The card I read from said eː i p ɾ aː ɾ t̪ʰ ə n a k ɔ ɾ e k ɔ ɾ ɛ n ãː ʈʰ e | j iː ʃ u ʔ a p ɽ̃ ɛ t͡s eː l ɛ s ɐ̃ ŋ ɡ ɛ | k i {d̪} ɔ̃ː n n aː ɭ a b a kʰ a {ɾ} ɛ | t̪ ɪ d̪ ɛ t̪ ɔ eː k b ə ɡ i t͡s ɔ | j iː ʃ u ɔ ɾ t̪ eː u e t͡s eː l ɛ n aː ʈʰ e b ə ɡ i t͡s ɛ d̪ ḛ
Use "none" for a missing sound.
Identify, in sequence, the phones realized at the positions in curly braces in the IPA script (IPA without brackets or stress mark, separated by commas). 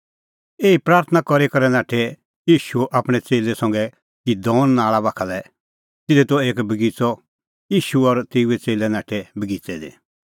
d̪, l